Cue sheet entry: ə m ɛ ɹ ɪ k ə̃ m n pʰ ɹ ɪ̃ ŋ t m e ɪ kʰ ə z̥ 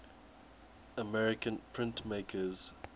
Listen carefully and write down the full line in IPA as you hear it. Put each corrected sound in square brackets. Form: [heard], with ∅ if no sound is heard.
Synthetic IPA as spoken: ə m ɛ ɹ ɪ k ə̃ [∅] n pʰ ɹ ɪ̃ [n] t m e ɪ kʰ ə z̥